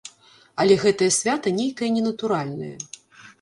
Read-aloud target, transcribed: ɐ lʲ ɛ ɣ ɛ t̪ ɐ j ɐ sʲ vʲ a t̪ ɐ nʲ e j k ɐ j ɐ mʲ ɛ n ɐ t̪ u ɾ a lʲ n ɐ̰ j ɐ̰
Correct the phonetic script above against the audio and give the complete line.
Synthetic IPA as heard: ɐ lʲ ɛ ɣ ɛ t̪ ɐ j ɐ sʲ vʲ a t̪ ɐ nʲ e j k ɐ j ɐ nʲ ɛ n ɐ t̪ u ɾ a lʲ n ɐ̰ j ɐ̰